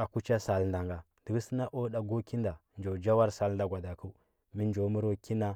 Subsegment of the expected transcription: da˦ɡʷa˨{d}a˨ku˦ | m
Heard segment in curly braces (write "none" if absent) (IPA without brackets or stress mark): d